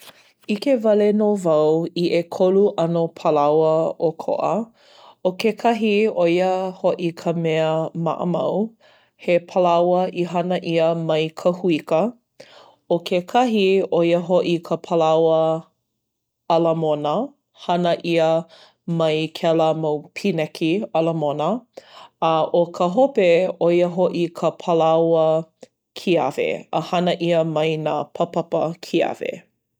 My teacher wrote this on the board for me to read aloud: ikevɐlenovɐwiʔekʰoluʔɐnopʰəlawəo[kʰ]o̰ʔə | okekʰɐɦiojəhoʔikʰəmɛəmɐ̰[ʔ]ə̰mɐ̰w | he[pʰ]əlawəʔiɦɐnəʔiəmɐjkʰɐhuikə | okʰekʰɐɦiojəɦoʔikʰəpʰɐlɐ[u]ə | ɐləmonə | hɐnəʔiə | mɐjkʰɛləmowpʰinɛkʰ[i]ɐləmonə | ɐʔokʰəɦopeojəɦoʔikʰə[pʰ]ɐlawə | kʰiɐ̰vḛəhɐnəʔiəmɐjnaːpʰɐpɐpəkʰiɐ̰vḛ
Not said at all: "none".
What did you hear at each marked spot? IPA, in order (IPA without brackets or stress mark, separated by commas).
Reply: kʰ, ʔ, pʰ, w, i, pʰ